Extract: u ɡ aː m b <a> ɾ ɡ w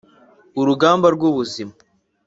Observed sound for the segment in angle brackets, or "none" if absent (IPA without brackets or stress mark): a